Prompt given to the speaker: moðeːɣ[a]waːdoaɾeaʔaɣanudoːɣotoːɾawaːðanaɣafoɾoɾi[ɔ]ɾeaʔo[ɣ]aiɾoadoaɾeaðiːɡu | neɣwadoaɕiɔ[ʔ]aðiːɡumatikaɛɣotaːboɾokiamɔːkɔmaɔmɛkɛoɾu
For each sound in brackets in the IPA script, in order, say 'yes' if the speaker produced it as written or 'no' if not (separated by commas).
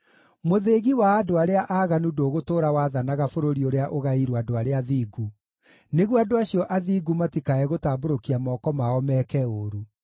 no, no, yes, yes